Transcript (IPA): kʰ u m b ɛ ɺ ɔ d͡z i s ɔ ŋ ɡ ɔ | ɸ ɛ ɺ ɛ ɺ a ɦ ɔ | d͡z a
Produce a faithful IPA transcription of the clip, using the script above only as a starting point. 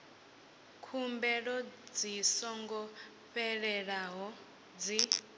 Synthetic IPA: kʰ u m b ɛ ɺ ɔ d͡z i s ɔ ŋ ɡ ɔ | ɸ ɛ ɺ ɛ ɺ a ɦ ɔ | d͡z i